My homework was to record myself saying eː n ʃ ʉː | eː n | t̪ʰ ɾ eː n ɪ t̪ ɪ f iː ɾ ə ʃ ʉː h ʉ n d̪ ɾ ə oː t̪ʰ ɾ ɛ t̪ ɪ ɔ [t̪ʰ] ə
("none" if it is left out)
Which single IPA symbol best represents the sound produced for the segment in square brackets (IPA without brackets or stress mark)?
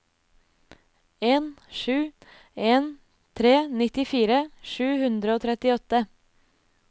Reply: t̪